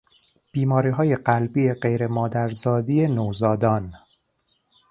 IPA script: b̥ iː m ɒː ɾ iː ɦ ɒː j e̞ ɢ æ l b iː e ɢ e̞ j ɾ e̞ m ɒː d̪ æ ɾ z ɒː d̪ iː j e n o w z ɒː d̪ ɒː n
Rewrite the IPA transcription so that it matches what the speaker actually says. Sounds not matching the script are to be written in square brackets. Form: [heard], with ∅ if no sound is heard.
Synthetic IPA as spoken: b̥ iː m ɒː ɾ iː ɦ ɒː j e̞ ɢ æ l b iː e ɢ e̞ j ɾ e̞ m ɒː d̪ æ ɾ z ɒː d̪ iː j e n o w z ɒː d̪ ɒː n